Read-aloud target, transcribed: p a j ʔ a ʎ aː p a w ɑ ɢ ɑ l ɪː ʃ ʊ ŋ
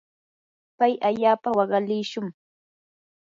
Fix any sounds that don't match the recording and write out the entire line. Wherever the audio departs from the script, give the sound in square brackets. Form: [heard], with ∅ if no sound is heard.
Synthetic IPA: p a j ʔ a ʎ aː p a w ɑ ɢ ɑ l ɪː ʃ ʊ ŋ

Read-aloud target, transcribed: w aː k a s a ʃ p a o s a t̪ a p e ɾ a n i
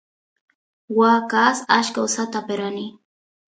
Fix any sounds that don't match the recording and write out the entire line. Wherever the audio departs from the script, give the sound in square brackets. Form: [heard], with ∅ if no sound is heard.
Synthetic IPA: w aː k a s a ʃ [k] a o s a t̪ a p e ɾ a n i

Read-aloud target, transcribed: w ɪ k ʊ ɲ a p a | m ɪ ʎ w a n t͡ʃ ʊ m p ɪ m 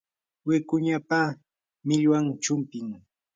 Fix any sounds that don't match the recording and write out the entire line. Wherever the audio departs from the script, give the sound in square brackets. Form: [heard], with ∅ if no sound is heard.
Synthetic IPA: w ɪ k ʊ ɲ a p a | m ɪ ʎ w a [ŋ] t͡ʃ ʊ m p ɪ [ŋ]

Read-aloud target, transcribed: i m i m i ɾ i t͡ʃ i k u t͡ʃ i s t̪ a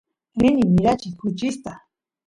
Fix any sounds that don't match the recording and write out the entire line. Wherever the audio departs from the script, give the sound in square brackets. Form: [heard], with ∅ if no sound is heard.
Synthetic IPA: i [n] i m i ɾ [a] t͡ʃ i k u t͡ʃ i s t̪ a

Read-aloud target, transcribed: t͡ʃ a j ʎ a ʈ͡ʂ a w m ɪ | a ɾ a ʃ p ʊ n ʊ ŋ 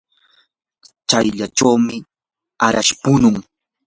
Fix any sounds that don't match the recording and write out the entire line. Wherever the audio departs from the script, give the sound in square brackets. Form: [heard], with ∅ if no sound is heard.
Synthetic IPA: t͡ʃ a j ʎ a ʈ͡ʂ a w m ɪ | a ɾ a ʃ p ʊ n ʊ ŋ

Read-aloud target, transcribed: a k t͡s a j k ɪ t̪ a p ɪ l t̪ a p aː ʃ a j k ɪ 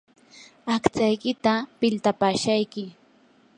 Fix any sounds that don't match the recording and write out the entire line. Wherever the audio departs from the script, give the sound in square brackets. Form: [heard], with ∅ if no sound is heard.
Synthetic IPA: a k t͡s a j k ɪ t̪ a p ɪ l t̪ a p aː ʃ a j k ɪ

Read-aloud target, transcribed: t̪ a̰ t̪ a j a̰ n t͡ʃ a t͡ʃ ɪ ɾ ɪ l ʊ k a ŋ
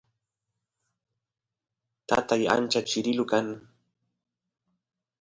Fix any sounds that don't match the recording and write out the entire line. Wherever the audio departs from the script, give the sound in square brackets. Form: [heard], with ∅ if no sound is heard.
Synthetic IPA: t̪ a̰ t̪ a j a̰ n t͡ʃ a t͡ʃ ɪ ɾ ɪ l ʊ k a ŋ

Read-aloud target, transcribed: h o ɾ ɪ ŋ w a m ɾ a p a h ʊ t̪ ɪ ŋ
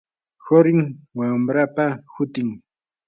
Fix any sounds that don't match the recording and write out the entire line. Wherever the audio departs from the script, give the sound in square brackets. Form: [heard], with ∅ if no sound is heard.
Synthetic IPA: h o ɾ ɪ ŋ w a m ɾ a p a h ʊ t̪ ɪ ŋ

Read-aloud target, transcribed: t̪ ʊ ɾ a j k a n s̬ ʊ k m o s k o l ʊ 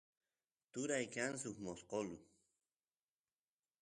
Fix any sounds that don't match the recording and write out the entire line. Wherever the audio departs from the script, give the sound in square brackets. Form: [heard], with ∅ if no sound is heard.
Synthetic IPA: t̪ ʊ ɾ a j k a n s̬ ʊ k m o s [q] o l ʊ

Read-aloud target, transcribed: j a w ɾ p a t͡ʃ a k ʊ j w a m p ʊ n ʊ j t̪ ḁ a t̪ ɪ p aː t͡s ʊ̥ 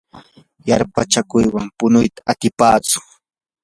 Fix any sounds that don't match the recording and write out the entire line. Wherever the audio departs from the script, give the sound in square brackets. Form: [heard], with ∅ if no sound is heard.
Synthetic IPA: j a [∅] ɾ p a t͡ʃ a k ʊ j w a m p ʊ n ʊ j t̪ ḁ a t̪ ɪ p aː t͡s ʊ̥

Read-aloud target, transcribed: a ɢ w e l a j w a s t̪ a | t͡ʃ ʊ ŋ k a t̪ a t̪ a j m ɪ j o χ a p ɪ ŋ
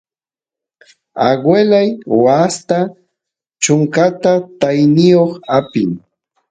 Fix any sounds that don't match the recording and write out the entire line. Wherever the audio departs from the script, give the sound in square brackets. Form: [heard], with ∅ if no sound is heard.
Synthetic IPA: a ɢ w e l a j w a s t̪ a | t͡ʃ ʊ ŋ k a t̪ a t̪ a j [n] ɪ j o χ a p ɪ ŋ

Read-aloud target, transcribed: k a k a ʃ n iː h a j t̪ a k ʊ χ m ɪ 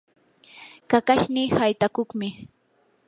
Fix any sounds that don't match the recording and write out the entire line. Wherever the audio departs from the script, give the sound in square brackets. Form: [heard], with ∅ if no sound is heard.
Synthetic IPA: k a k a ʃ n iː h a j t̪ a k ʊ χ m ɪ

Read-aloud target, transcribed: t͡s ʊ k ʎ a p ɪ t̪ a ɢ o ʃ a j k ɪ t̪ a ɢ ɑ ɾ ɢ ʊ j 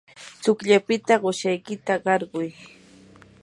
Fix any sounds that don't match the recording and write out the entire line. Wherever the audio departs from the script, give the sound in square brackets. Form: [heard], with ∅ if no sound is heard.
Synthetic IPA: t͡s ʊ k ʎ a p ɪ t̪ a ɢ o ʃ a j k ɪ t̪ a ɢ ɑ ɾ ɢ ʊ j

